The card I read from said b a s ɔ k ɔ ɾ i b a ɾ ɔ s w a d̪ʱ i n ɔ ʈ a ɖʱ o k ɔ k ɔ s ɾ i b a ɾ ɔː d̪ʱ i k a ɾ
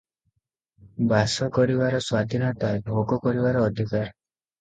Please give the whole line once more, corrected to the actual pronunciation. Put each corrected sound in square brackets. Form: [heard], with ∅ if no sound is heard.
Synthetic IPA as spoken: b a s ɔ k ɔ ɾ i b a ɾ ɔ s w a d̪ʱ i n ɔ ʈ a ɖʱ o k ɔ k ɔ [∅] ɾ i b a ɾ ɔː d̪ʱ i k a ɾ